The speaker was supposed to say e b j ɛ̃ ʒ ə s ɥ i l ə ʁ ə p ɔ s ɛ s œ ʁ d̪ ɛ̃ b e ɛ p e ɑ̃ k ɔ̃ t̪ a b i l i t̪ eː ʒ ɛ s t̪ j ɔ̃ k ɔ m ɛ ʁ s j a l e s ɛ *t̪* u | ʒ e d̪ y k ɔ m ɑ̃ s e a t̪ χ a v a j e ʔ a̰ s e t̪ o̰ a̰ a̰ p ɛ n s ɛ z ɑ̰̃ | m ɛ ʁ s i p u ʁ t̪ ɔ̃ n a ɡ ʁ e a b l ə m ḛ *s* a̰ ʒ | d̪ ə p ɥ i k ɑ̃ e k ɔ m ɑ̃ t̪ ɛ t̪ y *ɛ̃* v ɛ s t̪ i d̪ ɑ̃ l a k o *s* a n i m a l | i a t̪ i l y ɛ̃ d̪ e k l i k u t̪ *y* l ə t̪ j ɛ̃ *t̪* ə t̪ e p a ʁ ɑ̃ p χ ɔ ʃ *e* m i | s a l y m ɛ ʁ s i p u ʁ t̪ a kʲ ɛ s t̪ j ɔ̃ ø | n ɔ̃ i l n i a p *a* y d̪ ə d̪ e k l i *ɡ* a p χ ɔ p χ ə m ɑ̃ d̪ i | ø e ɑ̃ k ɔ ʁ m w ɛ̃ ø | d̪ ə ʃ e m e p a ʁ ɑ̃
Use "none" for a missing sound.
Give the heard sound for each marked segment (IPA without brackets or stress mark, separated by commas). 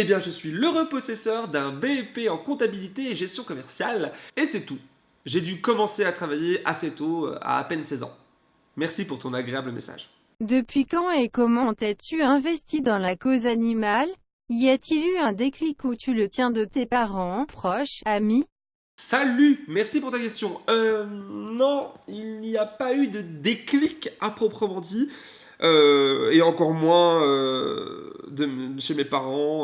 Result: t̪, s, ɛ̃, z, y, d̪, a, a, k